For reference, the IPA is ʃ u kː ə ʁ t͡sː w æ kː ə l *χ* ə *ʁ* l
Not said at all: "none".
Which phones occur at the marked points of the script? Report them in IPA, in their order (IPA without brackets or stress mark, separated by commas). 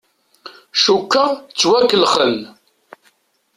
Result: χ, none